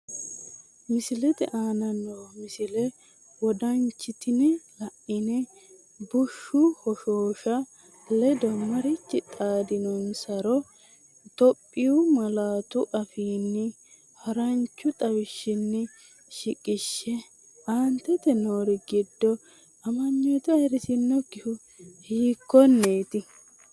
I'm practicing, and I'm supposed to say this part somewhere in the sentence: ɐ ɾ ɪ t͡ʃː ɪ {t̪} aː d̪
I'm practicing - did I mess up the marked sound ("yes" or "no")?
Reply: yes